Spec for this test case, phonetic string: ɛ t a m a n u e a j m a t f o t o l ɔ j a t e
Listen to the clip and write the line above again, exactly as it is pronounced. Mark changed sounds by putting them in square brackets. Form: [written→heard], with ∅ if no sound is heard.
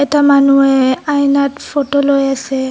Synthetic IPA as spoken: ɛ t a m a n u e a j [m→n] a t f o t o l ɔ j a [t→s] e